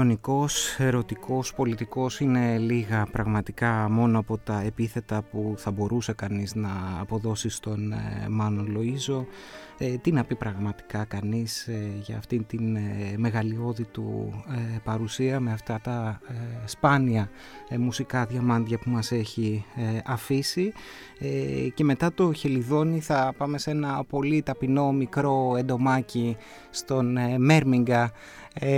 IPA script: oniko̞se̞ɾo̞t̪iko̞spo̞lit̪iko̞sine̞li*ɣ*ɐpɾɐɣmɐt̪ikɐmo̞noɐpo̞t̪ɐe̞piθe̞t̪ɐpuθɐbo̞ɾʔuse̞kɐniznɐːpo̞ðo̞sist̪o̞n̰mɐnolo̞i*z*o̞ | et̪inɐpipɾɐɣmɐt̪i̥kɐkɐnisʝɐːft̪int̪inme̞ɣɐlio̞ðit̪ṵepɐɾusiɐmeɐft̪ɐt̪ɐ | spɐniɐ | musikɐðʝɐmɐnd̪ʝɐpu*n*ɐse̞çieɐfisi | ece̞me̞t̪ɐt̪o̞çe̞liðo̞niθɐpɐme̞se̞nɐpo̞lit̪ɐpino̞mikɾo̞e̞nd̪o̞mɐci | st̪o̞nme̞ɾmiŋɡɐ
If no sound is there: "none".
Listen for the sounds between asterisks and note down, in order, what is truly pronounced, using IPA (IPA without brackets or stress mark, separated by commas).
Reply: ɣ, z, m